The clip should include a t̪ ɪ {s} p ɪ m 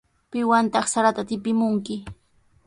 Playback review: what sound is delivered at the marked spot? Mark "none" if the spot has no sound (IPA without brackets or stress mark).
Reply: none